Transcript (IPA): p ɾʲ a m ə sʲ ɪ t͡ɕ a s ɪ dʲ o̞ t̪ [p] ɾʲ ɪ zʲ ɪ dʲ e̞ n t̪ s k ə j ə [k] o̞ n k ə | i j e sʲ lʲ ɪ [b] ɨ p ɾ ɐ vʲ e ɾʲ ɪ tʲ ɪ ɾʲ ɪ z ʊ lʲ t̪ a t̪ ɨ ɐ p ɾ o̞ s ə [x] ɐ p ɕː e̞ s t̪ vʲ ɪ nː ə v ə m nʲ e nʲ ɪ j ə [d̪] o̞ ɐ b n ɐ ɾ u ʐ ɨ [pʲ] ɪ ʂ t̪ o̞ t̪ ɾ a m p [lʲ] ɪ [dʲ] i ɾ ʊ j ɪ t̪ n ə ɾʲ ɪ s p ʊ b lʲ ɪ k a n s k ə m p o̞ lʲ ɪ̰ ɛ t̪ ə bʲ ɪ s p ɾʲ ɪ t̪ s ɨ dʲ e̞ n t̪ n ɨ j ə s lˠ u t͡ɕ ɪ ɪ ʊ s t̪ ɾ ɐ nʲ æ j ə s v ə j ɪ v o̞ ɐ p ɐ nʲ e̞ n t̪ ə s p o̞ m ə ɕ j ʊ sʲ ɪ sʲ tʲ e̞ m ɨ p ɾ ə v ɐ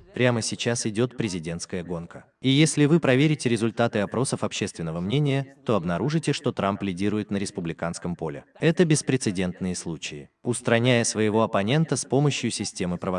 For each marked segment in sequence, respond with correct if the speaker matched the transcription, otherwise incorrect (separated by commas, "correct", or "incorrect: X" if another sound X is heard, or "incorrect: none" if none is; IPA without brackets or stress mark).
correct, incorrect: ɡ, incorrect: v, incorrect: f, incorrect: t̪, incorrect: tʲ, correct, correct